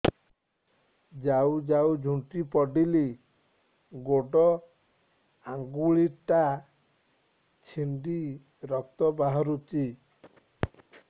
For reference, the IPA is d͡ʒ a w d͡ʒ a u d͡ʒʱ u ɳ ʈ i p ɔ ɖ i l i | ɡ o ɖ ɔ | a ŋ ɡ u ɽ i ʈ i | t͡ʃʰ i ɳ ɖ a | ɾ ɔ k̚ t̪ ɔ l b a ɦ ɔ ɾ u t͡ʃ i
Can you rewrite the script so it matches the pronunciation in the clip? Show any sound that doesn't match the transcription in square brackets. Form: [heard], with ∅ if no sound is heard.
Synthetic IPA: d͡ʒ a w d͡ʒ a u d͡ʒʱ u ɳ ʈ i p ɔ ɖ i l i | ɡ o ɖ ɔ | a ŋ ɡ u [ɭ] i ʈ [a] | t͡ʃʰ i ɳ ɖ [i] | ɾ ɔ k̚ t̪ ɔ [∅] b a ɦ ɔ ɾ u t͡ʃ i